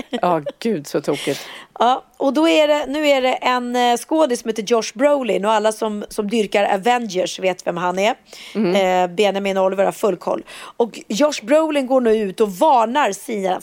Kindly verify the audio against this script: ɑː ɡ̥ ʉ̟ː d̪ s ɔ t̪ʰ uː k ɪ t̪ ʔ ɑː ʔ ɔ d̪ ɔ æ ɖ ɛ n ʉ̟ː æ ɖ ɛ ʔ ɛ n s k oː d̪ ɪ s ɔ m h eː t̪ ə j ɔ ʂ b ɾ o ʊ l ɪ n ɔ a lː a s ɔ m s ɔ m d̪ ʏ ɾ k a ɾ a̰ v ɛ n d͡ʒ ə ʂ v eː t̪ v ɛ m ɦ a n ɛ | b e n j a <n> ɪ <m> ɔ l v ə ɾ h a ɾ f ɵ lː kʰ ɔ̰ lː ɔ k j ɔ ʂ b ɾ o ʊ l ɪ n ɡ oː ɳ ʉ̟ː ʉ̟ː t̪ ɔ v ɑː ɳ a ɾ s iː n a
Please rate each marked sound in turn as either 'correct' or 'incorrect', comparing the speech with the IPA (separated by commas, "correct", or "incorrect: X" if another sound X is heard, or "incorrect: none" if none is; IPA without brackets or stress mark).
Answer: incorrect: m, incorrect: n